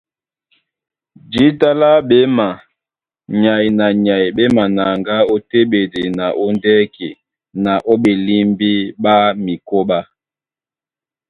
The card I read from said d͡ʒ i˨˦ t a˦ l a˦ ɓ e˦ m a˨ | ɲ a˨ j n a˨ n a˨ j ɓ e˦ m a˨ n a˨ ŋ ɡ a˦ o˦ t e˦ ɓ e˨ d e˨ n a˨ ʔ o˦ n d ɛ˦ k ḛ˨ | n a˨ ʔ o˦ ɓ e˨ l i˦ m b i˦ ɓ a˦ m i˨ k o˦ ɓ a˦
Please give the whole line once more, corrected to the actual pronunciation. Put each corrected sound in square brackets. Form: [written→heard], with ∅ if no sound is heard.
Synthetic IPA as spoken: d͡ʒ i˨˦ t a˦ l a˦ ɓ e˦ m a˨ | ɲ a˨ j n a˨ [n→ɲ] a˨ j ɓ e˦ m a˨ n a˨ ŋ ɡ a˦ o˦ t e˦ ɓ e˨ d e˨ n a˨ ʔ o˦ n d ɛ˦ k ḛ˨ | n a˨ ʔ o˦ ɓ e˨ l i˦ m b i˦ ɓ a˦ m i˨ k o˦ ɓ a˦